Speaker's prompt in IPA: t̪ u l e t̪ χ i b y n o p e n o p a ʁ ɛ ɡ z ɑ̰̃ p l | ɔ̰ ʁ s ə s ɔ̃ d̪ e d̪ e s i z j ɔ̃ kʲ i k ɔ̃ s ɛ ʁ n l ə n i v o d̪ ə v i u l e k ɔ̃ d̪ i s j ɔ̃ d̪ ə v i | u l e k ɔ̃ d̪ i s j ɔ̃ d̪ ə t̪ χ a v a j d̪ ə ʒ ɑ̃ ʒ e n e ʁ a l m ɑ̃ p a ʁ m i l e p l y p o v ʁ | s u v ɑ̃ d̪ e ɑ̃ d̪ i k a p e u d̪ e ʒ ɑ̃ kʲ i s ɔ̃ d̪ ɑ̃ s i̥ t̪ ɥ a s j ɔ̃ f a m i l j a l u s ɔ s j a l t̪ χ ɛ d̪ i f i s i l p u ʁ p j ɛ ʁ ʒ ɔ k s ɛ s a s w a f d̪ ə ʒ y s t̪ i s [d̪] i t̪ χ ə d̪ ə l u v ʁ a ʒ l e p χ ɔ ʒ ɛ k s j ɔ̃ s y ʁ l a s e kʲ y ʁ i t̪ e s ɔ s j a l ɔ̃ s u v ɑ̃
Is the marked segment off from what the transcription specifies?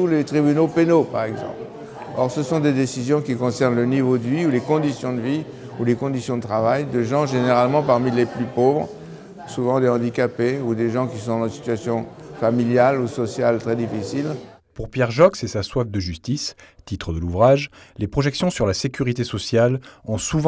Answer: yes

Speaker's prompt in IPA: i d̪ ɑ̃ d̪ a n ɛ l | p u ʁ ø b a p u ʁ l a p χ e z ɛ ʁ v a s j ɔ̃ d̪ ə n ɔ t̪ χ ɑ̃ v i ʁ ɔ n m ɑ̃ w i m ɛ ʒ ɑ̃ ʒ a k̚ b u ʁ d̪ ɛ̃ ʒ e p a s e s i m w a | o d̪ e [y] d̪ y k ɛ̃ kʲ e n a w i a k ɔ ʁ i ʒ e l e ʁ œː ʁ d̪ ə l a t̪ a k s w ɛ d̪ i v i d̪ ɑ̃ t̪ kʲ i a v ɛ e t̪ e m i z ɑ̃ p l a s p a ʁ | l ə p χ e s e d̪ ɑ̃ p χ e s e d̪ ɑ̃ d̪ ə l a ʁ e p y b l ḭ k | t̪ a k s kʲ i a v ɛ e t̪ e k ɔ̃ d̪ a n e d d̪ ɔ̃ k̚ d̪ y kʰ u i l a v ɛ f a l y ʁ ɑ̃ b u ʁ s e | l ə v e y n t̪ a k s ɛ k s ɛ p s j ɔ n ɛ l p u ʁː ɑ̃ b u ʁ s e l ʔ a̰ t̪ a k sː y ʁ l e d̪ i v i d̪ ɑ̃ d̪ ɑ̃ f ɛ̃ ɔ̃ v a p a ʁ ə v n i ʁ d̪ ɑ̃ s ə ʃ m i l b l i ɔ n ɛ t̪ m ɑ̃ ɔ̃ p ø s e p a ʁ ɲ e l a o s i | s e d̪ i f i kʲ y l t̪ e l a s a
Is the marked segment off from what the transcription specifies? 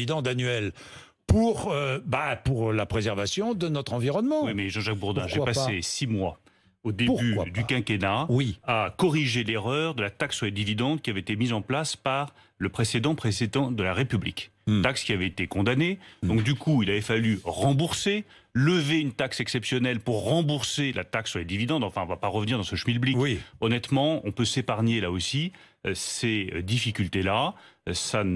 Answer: no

